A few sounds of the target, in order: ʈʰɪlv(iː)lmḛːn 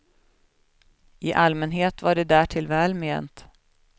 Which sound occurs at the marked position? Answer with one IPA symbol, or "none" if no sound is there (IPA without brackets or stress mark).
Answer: ɛː